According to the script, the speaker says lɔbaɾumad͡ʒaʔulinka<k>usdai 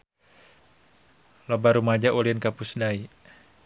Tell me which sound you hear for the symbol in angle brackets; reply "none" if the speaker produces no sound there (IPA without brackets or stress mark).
p